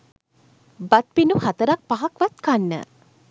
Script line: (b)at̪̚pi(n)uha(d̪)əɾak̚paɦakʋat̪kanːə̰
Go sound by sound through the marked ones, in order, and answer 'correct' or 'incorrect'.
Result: correct, correct, incorrect: t̪

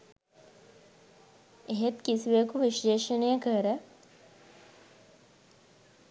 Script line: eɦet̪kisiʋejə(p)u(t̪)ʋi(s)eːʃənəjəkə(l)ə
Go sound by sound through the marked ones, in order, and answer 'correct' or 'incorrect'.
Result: incorrect: k, incorrect: none, incorrect: ʃ, incorrect: ɾ

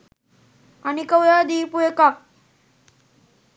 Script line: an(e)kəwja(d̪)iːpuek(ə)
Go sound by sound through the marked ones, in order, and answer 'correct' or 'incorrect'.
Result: incorrect: i, correct, incorrect: a

